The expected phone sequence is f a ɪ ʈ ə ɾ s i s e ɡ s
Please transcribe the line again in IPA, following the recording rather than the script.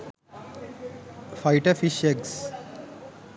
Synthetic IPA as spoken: f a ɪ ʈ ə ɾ f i ʃ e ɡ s